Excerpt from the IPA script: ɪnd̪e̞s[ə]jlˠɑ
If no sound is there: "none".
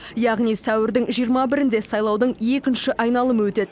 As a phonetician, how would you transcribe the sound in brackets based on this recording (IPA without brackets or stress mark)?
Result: ɑ